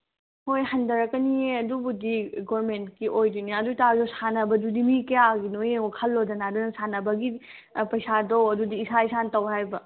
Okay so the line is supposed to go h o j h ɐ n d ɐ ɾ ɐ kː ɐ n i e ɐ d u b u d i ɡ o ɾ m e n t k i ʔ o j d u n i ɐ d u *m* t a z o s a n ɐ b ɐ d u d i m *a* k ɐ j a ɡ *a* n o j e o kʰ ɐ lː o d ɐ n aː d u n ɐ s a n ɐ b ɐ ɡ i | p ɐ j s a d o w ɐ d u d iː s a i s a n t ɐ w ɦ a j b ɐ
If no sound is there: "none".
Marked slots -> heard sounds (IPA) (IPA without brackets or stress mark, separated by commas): none, i, i